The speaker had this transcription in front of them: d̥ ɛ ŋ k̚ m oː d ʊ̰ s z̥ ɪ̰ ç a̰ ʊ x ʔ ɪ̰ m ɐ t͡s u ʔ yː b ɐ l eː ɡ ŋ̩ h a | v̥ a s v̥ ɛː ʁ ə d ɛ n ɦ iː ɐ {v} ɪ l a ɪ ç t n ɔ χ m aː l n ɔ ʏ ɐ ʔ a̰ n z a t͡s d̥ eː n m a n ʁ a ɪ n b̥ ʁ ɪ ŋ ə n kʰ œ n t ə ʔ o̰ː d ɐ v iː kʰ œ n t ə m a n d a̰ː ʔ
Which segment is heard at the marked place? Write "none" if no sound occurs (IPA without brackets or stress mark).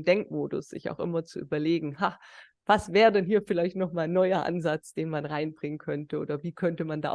f